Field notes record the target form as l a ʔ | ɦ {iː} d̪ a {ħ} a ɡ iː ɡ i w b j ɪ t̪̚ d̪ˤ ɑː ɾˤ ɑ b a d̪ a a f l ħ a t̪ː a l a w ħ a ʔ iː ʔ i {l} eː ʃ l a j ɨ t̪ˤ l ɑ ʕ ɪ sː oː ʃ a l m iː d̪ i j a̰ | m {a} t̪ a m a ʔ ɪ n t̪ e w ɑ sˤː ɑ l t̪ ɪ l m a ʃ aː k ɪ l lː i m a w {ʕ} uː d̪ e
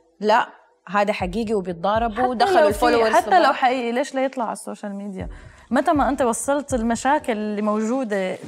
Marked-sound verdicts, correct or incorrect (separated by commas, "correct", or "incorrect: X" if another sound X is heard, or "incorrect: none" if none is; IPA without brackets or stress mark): incorrect: aː, correct, correct, correct, incorrect: ʒ